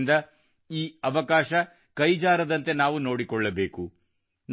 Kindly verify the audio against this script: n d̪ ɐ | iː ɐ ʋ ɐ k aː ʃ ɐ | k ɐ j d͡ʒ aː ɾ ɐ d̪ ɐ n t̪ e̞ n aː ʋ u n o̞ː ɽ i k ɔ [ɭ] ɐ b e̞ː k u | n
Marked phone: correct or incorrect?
incorrect